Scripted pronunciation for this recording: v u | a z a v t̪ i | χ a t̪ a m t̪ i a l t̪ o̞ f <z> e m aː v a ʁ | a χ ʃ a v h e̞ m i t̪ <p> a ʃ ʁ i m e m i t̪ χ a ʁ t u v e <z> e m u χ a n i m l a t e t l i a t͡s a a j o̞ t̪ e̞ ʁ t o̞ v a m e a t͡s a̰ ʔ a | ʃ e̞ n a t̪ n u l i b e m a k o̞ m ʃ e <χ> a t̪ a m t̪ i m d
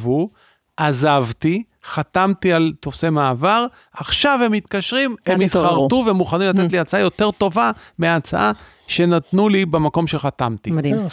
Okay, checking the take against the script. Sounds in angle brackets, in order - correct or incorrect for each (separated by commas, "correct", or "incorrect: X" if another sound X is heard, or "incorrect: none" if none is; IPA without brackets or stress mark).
incorrect: s, incorrect: k, incorrect: none, correct